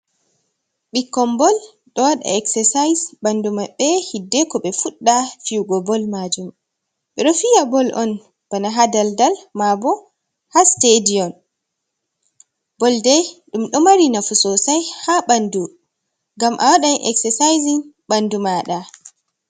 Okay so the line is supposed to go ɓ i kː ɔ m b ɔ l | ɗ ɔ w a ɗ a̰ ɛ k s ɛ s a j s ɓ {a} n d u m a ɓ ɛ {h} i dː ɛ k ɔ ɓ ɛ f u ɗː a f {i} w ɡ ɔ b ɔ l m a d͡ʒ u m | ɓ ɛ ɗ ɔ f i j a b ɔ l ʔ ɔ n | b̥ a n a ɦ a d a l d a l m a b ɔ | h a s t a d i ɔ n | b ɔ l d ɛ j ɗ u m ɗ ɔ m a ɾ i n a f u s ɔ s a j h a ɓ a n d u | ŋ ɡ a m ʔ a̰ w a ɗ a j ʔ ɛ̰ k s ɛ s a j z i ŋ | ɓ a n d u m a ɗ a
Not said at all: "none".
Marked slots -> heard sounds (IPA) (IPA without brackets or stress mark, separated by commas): a, h, i